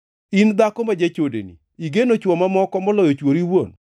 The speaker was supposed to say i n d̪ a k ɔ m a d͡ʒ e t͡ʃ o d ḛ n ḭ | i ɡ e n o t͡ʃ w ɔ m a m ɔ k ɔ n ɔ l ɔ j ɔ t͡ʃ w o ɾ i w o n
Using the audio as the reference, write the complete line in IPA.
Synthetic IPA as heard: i n d̪ a k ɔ m a d͡ʒ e t͡ʃ o d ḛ n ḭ | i ɡ e n o t͡ʃ w ɔ m a m ɔ k ɔ m ɔ l ɔ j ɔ t͡ʃ w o ɾ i w o n